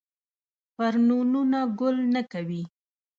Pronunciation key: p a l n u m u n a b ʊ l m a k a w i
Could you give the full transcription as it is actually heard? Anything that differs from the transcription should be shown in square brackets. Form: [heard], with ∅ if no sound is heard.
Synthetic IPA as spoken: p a [ɾ] n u [n] u n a [ɡ] ʊ l [n] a k a w i